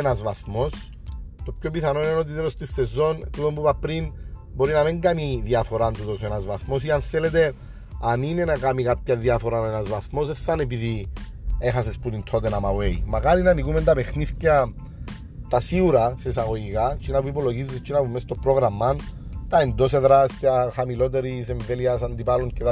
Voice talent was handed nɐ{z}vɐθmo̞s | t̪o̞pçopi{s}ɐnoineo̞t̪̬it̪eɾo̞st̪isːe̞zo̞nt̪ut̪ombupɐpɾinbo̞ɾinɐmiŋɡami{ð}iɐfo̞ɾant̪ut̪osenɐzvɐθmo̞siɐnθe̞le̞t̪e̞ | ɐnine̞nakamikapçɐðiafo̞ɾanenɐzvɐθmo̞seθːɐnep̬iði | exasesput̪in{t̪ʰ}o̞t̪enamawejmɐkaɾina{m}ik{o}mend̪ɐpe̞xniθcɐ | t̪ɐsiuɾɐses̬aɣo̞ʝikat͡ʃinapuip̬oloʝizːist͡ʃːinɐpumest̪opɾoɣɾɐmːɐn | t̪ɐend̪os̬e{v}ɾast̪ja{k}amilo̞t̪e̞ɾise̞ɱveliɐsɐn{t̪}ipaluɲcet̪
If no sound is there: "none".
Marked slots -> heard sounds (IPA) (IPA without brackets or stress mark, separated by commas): z, θ, ð, t̪ʰ, n, u, ð, x, d̪